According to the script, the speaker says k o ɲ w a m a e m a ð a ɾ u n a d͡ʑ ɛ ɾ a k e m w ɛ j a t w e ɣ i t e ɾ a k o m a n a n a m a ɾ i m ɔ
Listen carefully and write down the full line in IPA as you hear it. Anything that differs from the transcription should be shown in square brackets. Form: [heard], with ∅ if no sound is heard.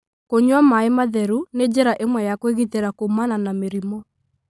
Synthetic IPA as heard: k o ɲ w a m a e m a ð [ɛ] ɾ u n [e] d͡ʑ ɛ ɾ a [ʔ] e m w ɛ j a [k] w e ɣ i t e ɾ a k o m a n a n a m [e] ɾ i m ɔ